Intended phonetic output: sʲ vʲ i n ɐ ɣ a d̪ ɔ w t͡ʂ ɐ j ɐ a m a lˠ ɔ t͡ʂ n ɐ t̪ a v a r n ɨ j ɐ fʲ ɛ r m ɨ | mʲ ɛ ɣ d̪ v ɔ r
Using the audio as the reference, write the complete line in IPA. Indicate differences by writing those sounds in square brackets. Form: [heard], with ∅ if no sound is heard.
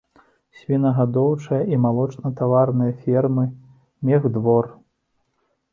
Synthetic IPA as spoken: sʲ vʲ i n ɐ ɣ a d̪ ɔ w t͡ʂ ɐ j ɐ [i] m a lˠ ɔ t͡ʂ n ɐ t̪ a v a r n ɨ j ɐ fʲ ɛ r m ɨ | mʲ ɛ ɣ d̪ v ɔ r